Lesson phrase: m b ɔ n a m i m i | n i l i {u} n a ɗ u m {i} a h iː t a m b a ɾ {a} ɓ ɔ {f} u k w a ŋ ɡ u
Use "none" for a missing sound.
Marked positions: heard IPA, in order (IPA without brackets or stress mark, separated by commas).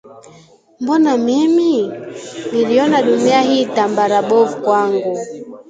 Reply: ɔ, i, a, v